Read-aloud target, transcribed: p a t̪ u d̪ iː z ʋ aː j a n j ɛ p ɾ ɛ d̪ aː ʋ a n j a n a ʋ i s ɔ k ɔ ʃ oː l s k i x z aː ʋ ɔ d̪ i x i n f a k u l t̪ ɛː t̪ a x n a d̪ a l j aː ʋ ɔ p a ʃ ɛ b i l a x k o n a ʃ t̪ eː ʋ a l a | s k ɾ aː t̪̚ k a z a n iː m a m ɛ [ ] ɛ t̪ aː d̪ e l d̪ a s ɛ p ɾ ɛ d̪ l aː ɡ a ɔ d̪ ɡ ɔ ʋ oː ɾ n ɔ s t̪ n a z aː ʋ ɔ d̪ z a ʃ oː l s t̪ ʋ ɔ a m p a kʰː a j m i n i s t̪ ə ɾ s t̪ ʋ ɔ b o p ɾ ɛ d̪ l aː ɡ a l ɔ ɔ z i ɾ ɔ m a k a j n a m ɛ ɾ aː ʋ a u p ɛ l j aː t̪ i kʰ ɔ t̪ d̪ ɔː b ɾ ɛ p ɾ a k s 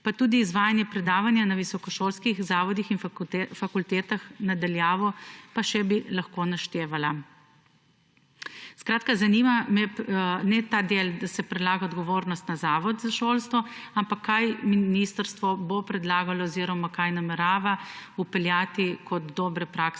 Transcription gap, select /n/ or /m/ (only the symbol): n